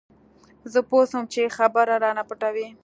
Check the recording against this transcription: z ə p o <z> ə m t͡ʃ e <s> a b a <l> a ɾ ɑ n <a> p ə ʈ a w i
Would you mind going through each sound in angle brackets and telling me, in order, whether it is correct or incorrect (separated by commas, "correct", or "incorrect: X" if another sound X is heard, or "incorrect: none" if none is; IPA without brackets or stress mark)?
incorrect: s, incorrect: x, incorrect: ɾ, correct